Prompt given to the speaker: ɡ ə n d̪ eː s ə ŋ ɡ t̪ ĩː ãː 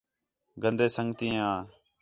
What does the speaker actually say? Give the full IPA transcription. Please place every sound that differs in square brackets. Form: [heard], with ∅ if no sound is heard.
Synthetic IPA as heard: ɡ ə n d̪ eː s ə ŋ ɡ t̪ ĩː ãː